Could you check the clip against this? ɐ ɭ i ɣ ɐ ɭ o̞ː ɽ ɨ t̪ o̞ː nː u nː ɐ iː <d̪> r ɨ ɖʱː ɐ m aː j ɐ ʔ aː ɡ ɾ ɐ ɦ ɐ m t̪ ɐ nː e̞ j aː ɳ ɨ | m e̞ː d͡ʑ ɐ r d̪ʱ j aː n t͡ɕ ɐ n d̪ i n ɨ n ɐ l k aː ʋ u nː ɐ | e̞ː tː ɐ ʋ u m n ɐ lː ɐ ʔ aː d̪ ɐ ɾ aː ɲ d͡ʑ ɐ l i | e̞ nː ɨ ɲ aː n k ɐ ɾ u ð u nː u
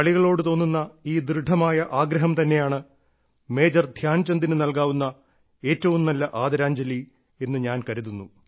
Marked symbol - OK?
yes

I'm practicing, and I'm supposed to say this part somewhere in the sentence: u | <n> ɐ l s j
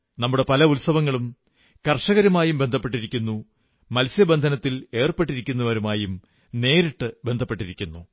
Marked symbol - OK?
no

